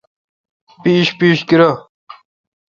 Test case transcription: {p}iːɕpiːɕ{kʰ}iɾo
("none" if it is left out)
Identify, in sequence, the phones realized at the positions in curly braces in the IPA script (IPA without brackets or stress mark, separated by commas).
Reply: p, k